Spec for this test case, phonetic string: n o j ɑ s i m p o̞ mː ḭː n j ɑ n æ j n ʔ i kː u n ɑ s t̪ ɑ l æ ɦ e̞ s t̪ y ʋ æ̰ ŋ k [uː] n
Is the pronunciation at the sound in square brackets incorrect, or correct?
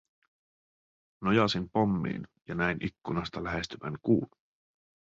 correct